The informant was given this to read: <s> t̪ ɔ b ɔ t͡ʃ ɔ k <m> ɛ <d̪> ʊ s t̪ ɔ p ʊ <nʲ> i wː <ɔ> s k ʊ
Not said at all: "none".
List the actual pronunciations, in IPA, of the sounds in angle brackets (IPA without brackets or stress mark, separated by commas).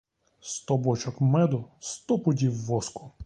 s, m, d̪, dʲ, ɔ